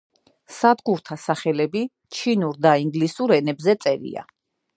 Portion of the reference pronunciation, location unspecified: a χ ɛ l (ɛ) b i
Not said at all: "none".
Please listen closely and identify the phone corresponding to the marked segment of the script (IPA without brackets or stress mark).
ɛ